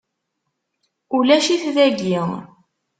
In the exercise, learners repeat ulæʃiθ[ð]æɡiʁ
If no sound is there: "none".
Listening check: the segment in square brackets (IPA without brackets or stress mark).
ð